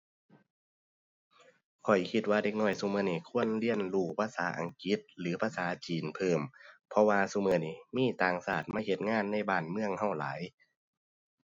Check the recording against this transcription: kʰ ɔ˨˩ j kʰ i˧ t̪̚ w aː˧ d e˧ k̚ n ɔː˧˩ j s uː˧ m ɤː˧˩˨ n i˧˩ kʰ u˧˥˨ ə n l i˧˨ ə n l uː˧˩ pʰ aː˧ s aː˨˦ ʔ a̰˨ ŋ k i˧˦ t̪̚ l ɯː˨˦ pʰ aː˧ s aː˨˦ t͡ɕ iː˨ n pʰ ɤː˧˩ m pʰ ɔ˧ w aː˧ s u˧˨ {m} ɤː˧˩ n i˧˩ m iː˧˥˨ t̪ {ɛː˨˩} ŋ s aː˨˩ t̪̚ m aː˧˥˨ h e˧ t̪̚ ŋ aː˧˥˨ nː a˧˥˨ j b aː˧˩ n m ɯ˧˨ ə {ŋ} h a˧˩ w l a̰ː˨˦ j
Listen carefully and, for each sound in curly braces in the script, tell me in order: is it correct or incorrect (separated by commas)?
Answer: correct, incorrect, correct